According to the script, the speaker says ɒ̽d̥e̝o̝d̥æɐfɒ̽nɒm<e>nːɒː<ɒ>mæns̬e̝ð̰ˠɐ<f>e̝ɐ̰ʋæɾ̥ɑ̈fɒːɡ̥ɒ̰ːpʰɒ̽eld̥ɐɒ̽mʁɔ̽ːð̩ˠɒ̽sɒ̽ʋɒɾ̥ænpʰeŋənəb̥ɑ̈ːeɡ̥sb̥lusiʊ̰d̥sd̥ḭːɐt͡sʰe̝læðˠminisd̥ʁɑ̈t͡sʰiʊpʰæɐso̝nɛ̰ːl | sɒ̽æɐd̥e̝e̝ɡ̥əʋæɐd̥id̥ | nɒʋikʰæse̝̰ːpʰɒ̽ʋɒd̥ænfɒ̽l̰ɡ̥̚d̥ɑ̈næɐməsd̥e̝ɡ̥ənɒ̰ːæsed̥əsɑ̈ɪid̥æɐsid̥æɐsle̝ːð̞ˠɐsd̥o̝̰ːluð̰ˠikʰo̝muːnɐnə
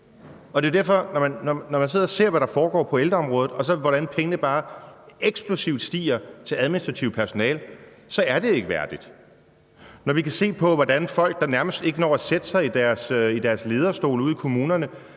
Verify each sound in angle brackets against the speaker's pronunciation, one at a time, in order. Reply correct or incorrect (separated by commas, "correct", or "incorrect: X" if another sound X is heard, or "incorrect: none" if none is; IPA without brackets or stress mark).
incorrect: æ, correct, incorrect: s